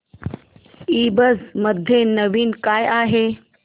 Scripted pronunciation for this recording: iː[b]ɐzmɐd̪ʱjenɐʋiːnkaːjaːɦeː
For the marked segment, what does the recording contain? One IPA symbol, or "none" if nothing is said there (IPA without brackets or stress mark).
b